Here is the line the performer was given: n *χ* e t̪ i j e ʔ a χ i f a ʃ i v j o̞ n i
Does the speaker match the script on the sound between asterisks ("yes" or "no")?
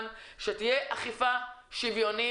no